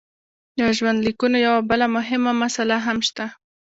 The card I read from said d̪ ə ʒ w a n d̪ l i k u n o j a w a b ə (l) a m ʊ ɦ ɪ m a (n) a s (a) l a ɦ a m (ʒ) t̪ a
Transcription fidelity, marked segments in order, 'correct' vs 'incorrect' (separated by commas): correct, incorrect, correct, incorrect